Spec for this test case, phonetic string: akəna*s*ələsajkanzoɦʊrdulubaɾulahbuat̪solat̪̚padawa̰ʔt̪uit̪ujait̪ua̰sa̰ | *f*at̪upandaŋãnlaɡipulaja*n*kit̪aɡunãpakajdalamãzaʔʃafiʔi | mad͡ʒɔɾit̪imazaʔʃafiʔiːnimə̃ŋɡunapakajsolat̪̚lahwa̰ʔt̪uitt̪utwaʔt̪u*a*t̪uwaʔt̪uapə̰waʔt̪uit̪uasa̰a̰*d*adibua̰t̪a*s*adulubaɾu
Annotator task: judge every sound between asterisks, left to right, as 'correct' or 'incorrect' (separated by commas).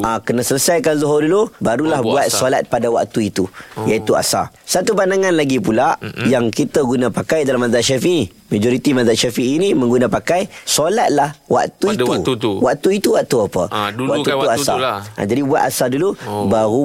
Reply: correct, incorrect, incorrect, incorrect, incorrect, correct